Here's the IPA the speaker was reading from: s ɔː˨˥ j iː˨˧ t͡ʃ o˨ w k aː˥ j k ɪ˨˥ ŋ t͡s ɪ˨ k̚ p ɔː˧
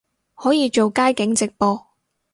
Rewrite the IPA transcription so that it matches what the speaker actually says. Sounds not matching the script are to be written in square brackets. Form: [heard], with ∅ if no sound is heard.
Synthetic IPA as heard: [h] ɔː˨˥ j iː˨˧ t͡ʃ o˨ w k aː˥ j k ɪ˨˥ ŋ t͡s ɪ˨ k̚ p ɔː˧